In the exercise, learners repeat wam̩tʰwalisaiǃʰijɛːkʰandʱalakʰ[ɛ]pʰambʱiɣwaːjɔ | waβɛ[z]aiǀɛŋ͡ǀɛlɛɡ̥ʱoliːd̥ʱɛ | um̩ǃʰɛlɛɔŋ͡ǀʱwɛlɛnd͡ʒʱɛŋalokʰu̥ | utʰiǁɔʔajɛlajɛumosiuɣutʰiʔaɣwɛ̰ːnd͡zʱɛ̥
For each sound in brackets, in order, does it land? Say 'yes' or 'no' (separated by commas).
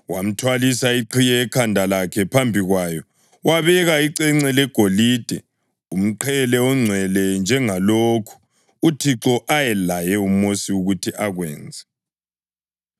yes, no